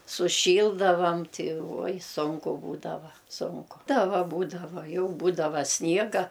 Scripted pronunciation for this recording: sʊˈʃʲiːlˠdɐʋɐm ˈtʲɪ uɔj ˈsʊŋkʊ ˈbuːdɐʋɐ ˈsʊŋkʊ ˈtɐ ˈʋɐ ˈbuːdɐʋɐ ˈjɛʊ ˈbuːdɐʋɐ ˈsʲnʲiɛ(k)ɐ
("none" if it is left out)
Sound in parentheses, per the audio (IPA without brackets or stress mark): ɡ